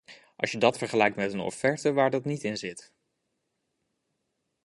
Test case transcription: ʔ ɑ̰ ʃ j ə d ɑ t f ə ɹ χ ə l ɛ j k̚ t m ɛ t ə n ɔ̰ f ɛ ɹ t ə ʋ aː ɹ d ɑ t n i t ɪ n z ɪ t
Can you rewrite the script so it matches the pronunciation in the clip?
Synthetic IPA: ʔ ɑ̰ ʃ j ə d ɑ t f ə ɹ χ ə l ɛ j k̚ t m ɛ t ə n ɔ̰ f ɛ ɹ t ə ʋ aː ɹ d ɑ t n i t ɪ n z ɪ t